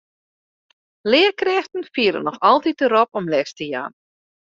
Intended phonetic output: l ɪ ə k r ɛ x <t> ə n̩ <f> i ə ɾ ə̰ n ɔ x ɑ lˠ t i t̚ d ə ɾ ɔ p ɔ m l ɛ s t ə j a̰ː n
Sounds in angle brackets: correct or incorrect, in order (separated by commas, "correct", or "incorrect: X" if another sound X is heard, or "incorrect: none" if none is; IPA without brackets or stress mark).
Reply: correct, correct